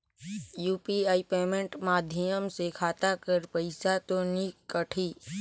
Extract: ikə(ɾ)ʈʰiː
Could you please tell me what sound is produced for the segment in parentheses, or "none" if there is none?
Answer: none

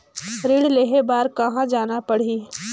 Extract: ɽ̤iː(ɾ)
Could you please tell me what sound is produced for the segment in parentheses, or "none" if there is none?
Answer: none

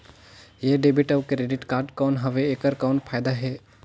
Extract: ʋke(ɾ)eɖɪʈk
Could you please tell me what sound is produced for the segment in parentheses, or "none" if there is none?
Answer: ɾ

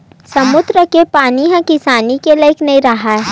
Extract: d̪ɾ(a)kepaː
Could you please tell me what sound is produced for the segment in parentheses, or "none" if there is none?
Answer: ə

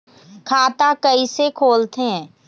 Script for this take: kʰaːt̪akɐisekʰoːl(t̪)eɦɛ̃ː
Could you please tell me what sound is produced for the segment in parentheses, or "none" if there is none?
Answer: t̪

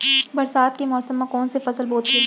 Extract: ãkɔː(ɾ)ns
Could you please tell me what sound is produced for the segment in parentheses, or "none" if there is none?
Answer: none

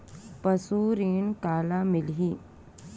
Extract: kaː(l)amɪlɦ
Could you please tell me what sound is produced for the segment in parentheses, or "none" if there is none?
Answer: l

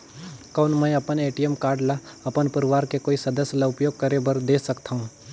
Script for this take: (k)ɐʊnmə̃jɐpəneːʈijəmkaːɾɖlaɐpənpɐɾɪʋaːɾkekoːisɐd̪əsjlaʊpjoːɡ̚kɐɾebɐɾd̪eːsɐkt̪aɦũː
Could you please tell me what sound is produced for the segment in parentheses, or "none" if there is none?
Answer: k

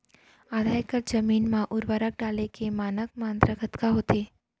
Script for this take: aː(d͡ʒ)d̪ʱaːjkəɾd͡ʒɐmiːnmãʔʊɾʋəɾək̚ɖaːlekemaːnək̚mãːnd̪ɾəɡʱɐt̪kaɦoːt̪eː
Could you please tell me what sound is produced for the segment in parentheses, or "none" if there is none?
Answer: none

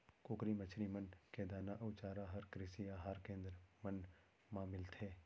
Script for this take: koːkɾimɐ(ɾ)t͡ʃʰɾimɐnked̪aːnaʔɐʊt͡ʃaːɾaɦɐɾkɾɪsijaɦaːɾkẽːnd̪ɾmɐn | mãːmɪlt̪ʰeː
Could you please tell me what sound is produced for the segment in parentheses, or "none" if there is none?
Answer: none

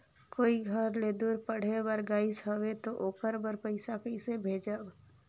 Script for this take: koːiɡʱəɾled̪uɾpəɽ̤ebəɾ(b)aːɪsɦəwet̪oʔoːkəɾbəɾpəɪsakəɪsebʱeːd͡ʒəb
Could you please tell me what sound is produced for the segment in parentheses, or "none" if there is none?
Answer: ɡ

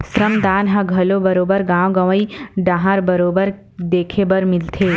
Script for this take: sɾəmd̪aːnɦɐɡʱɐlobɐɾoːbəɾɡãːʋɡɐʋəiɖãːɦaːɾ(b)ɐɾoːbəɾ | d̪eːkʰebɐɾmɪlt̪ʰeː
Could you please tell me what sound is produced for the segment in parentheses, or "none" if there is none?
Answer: b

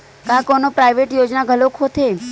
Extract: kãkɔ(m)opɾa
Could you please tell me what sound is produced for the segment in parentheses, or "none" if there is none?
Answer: n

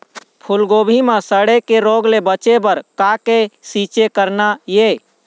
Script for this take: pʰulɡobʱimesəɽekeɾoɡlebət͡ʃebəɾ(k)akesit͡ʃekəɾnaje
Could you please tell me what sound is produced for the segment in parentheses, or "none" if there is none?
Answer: k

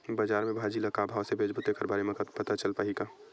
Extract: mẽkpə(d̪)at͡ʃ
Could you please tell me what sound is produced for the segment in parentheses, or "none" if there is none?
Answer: t̪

